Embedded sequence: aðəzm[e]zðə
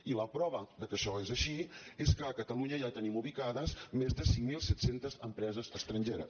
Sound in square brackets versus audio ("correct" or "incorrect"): correct